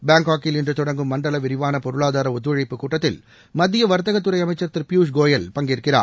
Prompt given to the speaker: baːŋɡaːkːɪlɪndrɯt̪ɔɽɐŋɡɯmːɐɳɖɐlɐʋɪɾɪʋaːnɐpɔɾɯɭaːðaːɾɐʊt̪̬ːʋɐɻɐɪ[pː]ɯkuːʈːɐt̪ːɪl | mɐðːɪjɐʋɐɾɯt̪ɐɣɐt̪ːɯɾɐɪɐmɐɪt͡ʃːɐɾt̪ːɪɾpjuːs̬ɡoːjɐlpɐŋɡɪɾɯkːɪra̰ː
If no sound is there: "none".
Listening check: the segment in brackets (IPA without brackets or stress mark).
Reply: pː